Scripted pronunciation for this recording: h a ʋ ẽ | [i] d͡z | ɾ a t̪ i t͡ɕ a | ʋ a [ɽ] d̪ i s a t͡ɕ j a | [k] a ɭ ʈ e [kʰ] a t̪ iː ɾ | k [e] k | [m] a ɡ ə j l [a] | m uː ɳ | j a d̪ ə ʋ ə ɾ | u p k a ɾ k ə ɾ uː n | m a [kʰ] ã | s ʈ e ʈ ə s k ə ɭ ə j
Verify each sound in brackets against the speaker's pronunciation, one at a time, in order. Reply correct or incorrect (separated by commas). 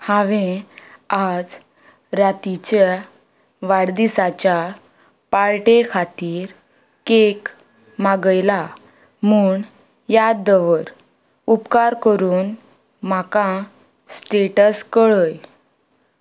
incorrect, correct, incorrect, correct, correct, correct, correct, incorrect